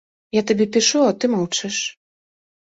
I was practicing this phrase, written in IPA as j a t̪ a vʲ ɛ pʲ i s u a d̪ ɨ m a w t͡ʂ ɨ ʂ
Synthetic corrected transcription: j a t̪ a bʲ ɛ pʲ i ʂ u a t̪ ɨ m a w t͡ʂ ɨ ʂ